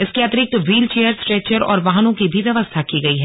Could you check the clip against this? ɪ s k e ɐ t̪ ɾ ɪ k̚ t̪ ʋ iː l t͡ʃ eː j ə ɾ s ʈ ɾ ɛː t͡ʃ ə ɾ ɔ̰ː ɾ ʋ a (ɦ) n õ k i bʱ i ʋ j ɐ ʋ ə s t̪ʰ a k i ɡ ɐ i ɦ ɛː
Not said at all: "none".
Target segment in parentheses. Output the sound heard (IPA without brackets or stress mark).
ɦ